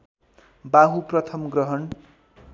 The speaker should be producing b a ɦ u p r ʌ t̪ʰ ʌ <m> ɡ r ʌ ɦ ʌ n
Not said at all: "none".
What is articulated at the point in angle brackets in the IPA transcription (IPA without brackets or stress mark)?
m